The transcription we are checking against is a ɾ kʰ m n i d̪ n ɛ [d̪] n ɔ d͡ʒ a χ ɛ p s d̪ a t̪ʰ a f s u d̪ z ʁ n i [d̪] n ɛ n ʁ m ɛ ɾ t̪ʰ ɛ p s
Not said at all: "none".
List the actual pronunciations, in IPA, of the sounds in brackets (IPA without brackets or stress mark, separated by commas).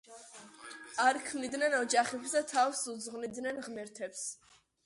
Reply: none, d̪